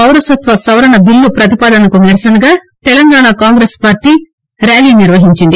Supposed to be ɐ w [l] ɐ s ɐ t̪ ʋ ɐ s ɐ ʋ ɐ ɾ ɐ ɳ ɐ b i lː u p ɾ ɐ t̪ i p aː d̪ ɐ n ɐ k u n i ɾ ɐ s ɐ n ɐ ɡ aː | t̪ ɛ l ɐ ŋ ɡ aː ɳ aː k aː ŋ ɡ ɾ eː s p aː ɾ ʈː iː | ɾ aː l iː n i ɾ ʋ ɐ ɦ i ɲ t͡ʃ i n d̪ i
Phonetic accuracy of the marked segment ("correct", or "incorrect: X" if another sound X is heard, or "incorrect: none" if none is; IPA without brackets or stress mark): incorrect: ɾ